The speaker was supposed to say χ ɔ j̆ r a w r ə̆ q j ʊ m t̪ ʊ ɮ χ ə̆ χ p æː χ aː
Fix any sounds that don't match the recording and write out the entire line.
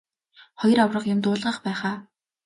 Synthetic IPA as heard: χ ɔ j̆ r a w r ə̆ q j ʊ m t̪ ʊː ɮ ʁ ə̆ χ p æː χ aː